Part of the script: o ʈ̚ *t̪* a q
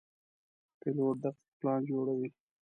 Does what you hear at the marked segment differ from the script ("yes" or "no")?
yes